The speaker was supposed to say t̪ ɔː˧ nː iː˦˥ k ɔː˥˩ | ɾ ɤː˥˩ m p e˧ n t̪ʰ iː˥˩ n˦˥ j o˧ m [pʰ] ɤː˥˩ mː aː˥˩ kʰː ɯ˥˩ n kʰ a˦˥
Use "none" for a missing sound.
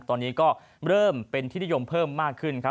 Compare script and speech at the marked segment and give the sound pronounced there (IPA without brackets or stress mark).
pʰ